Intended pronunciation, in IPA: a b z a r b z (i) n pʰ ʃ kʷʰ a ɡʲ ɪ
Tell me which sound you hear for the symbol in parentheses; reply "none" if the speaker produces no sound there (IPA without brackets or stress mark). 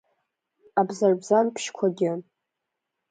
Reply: a